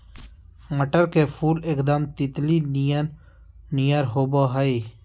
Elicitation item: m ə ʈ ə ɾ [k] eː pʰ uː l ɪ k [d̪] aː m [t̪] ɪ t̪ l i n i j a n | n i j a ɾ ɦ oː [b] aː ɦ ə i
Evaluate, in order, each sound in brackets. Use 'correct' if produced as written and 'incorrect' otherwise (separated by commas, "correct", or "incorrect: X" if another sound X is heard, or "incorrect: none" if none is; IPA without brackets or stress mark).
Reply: correct, correct, correct, correct